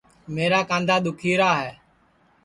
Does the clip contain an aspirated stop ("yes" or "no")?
yes